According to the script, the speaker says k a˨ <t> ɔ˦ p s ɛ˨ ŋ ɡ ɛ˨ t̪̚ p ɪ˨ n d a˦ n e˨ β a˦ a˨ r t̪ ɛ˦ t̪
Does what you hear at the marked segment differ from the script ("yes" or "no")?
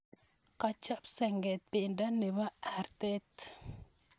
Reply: yes